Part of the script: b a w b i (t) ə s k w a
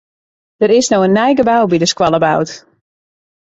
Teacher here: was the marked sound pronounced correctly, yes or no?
no